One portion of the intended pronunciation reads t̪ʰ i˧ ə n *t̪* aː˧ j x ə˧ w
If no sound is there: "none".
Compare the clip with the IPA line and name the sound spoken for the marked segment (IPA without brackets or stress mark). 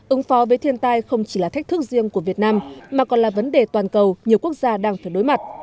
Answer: t̪